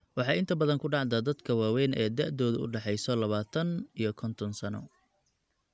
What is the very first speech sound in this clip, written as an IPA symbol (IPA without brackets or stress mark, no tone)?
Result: w